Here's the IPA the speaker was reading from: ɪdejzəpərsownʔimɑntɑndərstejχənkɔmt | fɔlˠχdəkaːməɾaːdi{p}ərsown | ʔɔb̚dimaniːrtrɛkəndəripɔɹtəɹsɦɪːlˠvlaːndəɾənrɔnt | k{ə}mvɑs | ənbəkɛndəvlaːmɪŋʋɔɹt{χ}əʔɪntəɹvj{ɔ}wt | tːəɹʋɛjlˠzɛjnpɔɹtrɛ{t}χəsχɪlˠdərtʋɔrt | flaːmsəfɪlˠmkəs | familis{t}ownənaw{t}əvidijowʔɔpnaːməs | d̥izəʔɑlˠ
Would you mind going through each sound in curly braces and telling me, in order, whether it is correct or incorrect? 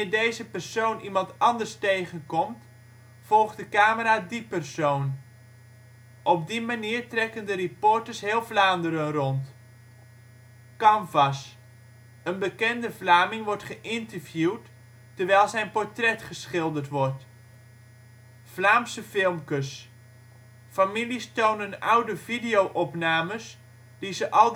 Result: correct, incorrect: ɑ, correct, incorrect: u, correct, correct, incorrect: d

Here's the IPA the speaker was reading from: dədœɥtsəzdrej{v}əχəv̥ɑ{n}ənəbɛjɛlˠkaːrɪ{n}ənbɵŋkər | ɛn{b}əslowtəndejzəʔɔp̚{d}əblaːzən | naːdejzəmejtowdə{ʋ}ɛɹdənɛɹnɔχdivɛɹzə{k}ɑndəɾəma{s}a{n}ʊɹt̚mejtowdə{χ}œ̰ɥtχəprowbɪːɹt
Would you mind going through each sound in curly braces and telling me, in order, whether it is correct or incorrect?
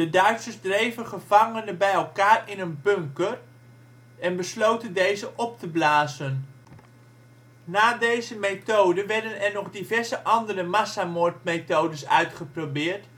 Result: correct, incorrect: ŋ, correct, correct, incorrect: t, correct, incorrect: ʔ, correct, incorrect: m, incorrect: s

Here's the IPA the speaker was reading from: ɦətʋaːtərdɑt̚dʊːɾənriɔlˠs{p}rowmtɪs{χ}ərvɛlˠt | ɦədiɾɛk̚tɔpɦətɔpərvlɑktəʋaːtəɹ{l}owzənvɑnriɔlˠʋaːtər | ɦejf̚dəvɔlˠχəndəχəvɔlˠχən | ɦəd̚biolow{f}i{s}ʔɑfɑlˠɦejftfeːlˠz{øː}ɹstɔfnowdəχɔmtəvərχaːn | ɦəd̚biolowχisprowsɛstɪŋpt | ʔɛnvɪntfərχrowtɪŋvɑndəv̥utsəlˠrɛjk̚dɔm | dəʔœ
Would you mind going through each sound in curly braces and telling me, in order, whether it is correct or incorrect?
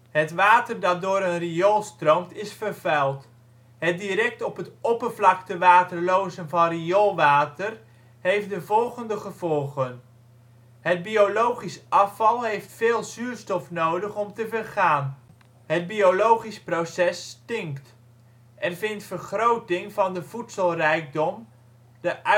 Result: incorrect: t, incorrect: f, correct, incorrect: χ, correct, incorrect: yː

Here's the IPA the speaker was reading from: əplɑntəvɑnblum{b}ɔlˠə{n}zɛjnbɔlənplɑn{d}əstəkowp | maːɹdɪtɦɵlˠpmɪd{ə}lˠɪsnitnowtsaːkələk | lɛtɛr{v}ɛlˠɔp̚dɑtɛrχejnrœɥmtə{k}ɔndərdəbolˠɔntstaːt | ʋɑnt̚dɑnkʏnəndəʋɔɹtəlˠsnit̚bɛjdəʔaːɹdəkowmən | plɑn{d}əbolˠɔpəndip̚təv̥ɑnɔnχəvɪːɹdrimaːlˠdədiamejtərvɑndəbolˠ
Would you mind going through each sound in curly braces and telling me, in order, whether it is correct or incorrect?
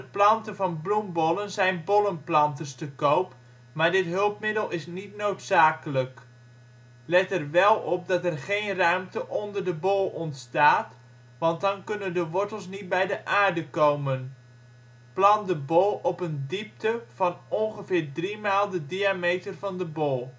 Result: correct, correct, incorrect: t, correct, incorrect: ʋ, incorrect: ʔ, correct

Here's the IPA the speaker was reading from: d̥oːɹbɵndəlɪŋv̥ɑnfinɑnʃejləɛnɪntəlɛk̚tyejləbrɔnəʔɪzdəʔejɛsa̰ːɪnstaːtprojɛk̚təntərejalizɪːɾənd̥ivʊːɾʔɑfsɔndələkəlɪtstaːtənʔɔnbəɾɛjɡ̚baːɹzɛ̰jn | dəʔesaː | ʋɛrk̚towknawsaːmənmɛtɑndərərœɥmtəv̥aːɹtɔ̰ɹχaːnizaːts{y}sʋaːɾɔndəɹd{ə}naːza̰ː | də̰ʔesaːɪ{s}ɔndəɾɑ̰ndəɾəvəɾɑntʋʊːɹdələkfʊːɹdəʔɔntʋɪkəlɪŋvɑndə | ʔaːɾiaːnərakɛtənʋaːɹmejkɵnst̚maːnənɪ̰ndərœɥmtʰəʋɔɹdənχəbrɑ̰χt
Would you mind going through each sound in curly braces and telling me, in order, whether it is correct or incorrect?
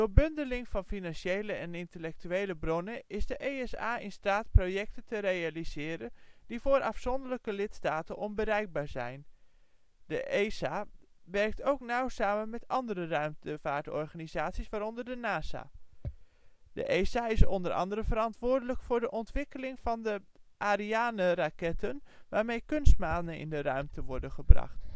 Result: incorrect: i, correct, correct

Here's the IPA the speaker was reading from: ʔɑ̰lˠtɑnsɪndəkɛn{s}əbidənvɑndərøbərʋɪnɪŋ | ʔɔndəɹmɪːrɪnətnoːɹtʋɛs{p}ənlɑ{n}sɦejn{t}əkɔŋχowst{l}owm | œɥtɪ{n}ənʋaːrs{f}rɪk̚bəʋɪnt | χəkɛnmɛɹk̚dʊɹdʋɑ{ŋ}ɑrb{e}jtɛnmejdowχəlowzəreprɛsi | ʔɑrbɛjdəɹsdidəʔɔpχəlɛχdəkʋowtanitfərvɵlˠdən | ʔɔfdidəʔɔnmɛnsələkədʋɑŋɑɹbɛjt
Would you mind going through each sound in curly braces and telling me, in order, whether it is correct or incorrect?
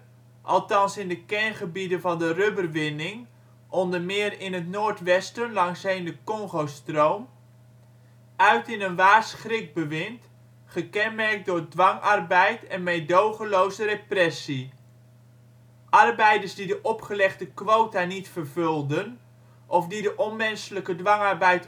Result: incorrect: χ, incorrect: t, incorrect: ŋ, incorrect: d, incorrect: r, correct, incorrect: χ, correct, incorrect: ɛ

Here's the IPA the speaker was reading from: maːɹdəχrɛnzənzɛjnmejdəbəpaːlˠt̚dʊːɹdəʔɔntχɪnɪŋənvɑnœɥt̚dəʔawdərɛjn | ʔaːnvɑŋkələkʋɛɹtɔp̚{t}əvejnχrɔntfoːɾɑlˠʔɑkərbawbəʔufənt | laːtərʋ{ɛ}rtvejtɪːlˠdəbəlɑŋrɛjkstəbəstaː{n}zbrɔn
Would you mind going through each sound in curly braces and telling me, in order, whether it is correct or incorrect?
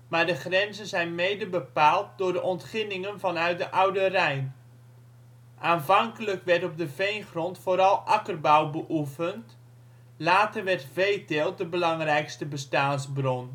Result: incorrect: d, correct, correct

